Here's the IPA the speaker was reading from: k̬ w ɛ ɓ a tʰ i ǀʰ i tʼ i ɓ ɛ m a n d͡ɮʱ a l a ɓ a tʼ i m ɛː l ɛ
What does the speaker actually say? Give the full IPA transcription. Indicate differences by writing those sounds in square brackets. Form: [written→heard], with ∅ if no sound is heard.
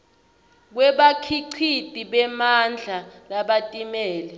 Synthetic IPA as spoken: k̬ w ɛ ɓ a [tʰ→kʰ] i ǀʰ i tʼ i ɓ ɛ m a n d͡ɮʱ a l a ɓ a tʼ i m ɛː l ɛ